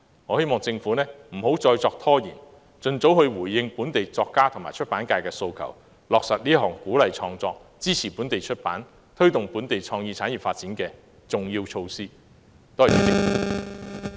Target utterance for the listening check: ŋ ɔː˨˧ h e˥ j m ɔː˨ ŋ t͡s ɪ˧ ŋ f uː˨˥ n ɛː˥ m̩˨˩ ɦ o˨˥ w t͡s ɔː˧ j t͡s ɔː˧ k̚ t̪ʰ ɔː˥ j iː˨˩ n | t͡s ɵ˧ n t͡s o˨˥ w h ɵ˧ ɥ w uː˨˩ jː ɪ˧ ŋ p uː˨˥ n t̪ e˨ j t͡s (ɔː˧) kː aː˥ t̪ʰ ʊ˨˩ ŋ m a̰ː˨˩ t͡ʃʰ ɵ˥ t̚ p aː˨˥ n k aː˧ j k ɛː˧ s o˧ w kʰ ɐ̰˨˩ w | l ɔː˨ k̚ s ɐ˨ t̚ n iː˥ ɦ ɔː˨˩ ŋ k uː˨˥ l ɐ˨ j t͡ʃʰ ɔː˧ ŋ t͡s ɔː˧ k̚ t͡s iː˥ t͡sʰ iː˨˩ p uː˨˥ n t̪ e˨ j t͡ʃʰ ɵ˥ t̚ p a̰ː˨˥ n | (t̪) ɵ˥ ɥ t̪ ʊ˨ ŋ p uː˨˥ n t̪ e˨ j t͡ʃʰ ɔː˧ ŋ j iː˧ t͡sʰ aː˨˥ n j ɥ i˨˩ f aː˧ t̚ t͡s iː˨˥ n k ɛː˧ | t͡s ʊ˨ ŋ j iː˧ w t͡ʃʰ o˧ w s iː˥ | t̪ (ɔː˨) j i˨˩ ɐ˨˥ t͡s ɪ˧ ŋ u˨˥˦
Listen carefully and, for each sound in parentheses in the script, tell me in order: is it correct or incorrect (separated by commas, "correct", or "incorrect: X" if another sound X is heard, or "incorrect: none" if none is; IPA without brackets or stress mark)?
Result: correct, incorrect: t̪ʰ, incorrect: ɔː˥